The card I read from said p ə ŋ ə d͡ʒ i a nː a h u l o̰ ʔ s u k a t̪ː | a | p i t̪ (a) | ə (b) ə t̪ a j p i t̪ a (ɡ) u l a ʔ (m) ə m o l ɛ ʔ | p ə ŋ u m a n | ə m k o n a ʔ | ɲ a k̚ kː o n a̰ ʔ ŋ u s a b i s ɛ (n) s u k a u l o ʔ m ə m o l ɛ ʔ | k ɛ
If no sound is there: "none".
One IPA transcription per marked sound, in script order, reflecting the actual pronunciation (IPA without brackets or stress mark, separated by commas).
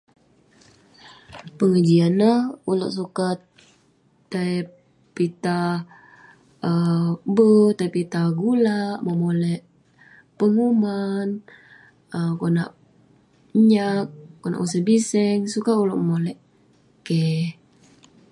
a, b, ɡ, m, ŋ